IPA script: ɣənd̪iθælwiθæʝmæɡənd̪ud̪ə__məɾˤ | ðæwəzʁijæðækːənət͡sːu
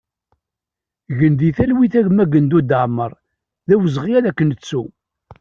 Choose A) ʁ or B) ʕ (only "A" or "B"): B